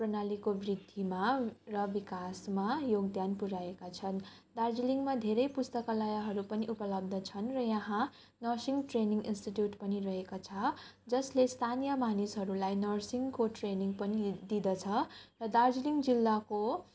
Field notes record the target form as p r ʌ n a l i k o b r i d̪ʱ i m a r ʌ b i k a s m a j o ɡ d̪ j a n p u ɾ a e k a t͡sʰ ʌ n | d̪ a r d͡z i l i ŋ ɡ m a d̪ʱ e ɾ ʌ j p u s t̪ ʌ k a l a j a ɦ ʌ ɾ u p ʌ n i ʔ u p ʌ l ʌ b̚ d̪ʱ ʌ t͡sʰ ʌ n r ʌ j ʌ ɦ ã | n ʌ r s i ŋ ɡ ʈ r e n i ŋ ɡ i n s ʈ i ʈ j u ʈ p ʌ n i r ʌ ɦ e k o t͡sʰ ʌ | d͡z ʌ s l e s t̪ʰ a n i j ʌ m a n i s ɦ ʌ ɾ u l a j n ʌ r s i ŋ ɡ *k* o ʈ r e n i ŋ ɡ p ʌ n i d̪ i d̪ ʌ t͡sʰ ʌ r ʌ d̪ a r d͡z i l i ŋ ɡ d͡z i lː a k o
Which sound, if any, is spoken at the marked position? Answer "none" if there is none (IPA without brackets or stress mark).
k